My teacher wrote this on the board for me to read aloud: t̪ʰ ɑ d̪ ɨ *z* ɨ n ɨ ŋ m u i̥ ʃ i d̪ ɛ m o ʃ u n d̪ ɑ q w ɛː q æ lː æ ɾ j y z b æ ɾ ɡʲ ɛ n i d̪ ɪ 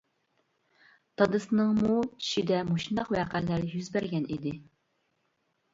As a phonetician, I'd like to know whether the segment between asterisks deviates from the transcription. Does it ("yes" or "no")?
yes